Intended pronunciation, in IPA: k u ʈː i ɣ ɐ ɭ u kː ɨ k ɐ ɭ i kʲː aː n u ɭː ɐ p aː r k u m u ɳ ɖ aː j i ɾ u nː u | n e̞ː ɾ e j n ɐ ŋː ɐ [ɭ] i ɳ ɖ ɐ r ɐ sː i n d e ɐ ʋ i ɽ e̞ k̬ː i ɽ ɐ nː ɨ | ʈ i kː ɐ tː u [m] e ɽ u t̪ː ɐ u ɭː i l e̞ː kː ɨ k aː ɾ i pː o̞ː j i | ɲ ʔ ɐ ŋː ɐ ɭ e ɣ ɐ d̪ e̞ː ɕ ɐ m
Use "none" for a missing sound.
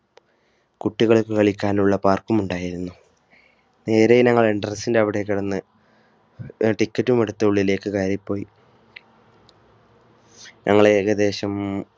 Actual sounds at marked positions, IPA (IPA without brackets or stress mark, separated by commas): ɭ, m